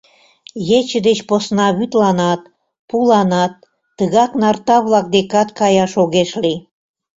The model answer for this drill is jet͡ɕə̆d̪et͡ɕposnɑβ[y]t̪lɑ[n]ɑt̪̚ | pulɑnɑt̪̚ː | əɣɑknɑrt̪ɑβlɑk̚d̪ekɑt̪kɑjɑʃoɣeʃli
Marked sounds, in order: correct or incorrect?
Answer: correct, correct

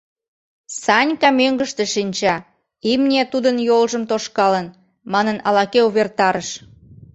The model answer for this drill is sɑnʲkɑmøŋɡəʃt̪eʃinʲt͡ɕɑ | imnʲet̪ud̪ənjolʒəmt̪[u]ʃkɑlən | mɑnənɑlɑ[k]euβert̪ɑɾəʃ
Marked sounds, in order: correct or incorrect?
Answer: incorrect: o, correct

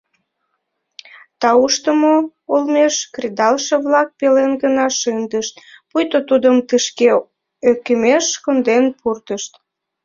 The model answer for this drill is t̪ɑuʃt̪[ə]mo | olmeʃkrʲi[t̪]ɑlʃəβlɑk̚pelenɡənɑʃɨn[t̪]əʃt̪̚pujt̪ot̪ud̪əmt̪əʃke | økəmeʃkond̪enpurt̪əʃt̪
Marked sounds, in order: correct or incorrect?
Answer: correct, incorrect: d̪, incorrect: d̪

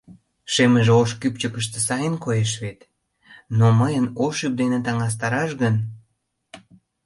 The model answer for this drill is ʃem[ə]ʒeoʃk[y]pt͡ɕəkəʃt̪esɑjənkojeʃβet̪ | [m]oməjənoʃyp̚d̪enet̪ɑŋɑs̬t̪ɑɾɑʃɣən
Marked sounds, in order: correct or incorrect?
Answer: correct, correct, incorrect: n

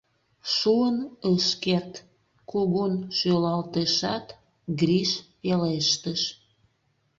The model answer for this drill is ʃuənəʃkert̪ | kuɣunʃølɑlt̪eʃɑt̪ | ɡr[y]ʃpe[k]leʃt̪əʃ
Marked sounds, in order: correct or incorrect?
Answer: incorrect: i, incorrect: none

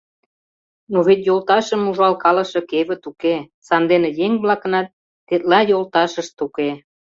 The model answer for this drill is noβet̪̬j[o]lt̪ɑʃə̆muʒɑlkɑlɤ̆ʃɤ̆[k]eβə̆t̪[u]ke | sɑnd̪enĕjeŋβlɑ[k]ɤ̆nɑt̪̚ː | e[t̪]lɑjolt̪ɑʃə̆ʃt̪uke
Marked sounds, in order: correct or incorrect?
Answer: correct, correct, correct, correct, correct

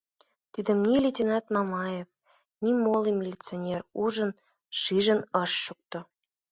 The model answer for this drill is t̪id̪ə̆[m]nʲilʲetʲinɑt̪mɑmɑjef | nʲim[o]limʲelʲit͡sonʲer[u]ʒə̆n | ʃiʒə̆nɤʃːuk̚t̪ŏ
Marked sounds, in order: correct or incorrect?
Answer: correct, correct, correct

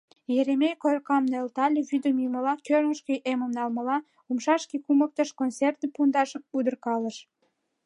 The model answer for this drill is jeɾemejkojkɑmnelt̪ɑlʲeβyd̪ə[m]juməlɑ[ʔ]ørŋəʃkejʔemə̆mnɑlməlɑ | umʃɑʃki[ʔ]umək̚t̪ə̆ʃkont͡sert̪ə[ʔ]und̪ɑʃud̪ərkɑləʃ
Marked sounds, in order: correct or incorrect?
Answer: correct, incorrect: k, incorrect: k, incorrect: p

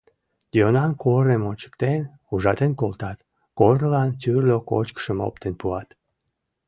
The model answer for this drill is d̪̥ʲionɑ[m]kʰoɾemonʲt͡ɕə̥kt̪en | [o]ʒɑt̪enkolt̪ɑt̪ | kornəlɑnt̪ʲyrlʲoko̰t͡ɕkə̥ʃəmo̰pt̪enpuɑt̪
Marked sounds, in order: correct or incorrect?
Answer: incorrect: n, incorrect: u

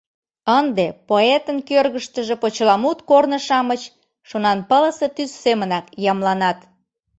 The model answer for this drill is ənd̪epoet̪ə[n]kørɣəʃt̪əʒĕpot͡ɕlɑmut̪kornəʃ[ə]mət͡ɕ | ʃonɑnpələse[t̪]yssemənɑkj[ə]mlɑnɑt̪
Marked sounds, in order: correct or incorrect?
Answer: correct, incorrect: ɑ, correct, incorrect: ɑ

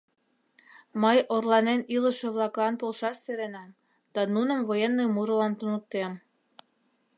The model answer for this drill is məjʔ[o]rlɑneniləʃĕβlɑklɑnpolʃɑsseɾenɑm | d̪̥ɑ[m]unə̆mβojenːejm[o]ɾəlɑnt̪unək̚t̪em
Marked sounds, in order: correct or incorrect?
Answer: correct, incorrect: n, incorrect: u

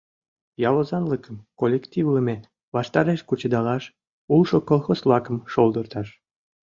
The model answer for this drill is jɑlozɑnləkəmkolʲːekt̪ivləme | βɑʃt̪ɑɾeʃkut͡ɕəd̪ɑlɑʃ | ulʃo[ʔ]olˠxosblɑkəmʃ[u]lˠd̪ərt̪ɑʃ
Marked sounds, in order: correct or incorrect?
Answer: incorrect: k, incorrect: o

